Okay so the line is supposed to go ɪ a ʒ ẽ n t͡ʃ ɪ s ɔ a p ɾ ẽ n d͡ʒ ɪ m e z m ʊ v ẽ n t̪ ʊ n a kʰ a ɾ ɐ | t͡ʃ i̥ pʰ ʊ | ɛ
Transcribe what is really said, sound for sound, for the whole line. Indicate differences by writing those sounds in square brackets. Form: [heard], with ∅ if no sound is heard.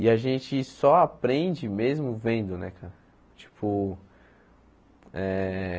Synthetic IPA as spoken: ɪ a ʒ ẽ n t͡ʃ ɪ s ɔ a p ɾ ẽ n d͡ʒ ɪ m e z m ʊ v ẽ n [d̪] ʊ n [ɛ] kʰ a ɾ ɐ | t͡ʃ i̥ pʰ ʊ | ɛ

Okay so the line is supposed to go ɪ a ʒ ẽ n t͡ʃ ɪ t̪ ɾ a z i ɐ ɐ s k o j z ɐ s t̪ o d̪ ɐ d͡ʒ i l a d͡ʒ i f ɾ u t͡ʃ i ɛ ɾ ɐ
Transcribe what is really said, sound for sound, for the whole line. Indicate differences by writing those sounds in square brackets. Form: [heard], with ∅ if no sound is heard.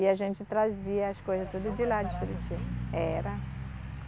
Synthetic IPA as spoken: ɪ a ʒ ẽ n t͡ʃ ɪ t̪ ɾ a z i ɐ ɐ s k o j z ɐ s t̪ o d̪ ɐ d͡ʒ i l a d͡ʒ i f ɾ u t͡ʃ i ɛ ɾ ɐ

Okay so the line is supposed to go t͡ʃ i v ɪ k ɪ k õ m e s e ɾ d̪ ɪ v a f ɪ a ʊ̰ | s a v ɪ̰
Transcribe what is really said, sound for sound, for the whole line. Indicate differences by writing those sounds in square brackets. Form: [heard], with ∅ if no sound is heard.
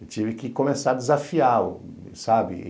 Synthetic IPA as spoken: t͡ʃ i v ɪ k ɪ k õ m e s [a] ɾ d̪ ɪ [z] a f [i] a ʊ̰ | s a [b] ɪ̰

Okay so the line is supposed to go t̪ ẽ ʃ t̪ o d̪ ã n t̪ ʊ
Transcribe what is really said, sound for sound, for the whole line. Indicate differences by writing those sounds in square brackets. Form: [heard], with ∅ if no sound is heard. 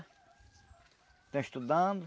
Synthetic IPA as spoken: t̪ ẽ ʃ t̪ [u] d̪ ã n [d̪] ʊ

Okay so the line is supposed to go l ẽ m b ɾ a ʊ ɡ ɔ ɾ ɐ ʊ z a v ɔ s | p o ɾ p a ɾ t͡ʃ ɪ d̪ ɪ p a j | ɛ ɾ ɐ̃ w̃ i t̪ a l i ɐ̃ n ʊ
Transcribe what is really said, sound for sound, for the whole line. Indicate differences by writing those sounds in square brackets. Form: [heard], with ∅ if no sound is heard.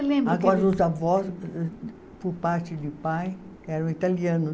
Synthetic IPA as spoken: l ẽ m b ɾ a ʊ ɡ ɔ ɾ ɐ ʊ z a v ɔ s | p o ɾ p a ɾ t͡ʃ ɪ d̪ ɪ p a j | ɛ ɾ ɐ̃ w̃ i t̪ a l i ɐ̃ n ʊ

